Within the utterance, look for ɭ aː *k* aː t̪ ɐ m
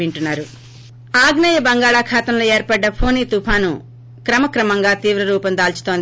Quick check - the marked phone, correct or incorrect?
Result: incorrect